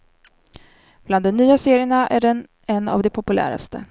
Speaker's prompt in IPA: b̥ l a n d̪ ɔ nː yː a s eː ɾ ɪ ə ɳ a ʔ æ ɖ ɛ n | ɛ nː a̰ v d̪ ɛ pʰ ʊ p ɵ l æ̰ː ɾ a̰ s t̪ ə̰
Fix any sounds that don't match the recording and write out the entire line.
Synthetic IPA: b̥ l a n d̪ ɔ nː yː a s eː ɾ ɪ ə ɳ a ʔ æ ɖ ɛ n | ɛ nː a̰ v d̪ ɛ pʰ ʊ p ɵ l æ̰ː ɾ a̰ s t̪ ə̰

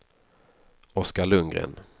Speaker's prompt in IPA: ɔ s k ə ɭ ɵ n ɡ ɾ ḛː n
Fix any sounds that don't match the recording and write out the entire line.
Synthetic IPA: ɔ s k a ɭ ɵ ŋ ɡ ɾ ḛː n

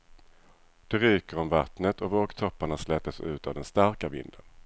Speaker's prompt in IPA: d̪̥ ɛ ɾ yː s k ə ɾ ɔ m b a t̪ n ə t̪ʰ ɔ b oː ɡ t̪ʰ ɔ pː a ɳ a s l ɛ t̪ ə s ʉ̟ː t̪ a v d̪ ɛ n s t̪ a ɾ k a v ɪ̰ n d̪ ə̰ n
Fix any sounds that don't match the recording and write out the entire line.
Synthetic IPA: d̪̥ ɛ ɾ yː k ə ɾ ɔ m v a t̪ n ə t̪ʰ ɔ v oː ɡ t̪ʰ ɔ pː a ɳ a s l ɛ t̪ ə s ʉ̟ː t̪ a v d̪ ɛ n s t̪ a ɾ k a v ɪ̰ n d̪ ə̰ n

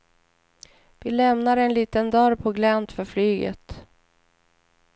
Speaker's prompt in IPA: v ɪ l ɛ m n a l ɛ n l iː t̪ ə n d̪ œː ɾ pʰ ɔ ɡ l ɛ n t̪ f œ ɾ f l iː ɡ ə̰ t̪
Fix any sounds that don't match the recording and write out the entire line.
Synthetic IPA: v ɪ l ɛ m n a ɾ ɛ n l iː t̪ ə n d̪ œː ɾ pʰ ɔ ɡ l ɛ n t̪ f œ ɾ f l yː ɡ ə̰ t̪

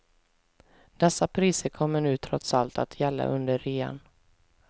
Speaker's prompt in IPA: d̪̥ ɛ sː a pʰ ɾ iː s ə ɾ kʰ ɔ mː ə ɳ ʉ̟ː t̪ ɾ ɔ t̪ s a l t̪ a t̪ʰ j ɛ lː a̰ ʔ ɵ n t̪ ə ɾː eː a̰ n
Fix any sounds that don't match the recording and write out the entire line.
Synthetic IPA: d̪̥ ɛ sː a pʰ ɾ iː s ə ɾ kʰ ɔ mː ə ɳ ʉ̟ː t̪ʰ ɾ ɔ t̪ s a l t̪ a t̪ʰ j ɛ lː a̰ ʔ ɵ n d̪ ə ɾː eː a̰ n

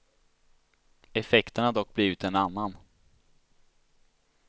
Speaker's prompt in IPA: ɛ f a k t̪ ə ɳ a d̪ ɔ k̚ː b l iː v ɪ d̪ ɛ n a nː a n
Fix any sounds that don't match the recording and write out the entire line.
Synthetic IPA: ɛ f ɛ k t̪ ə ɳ a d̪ ɔ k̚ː b l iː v ɪ t̪ ɛ n a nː a n

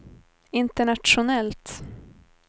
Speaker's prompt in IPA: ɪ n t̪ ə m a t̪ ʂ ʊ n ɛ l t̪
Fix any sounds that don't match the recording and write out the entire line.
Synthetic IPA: ɪ n t̪ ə ɳ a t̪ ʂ ʊ n ɛ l t̪

